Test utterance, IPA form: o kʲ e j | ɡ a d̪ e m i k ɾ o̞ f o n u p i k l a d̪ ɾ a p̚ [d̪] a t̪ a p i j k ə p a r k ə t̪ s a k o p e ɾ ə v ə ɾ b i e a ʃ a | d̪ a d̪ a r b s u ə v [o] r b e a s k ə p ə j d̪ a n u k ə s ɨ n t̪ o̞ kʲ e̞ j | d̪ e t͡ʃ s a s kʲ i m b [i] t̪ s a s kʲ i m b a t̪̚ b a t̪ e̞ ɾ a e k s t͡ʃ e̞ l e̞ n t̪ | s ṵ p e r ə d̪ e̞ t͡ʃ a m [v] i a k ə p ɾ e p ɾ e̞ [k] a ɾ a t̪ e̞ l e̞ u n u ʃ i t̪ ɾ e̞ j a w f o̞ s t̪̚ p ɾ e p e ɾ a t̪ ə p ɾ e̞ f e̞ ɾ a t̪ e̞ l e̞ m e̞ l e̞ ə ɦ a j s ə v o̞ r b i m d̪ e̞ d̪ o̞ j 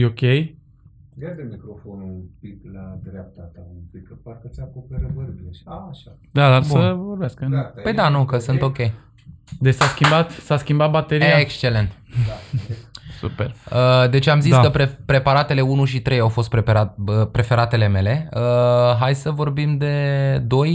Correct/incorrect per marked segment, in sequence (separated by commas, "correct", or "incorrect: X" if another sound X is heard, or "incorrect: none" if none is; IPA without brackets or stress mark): incorrect: t̪, correct, incorrect: a, incorrect: z, incorrect: p